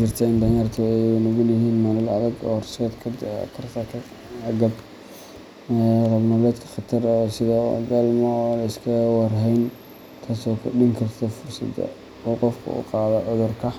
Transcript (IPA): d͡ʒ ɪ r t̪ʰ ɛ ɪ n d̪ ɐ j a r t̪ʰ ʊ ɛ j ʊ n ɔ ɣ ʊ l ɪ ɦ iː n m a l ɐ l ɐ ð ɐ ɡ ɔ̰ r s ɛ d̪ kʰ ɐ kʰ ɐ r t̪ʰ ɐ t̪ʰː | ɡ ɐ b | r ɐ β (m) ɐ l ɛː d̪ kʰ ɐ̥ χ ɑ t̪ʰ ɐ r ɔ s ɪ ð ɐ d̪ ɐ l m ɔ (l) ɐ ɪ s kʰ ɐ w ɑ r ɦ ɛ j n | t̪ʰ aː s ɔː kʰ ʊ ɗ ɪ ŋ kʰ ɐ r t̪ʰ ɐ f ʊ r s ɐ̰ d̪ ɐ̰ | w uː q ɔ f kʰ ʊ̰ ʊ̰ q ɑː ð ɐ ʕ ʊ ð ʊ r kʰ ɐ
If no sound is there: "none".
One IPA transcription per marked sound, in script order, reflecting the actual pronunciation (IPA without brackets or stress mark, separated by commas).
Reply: n, l